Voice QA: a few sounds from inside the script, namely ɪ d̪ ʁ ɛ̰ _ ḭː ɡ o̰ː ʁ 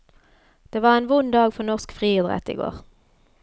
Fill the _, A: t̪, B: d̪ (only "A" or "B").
A